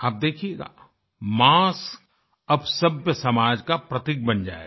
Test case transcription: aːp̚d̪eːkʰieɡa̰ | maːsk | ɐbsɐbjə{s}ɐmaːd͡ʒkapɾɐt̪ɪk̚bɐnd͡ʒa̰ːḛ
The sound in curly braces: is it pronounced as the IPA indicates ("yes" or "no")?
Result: yes